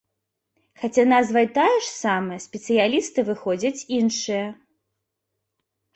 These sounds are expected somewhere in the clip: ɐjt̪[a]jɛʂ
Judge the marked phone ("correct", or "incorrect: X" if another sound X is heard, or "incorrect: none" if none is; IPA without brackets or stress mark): correct